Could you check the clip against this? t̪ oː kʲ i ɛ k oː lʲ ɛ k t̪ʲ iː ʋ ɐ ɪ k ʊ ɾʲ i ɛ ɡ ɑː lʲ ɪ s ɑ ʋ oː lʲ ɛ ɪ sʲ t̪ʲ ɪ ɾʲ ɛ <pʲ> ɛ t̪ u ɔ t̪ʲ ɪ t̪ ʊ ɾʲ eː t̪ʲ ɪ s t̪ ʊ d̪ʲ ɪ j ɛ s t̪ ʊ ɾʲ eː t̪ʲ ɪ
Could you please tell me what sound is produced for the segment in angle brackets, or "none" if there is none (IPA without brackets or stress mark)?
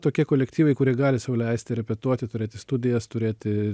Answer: pʲ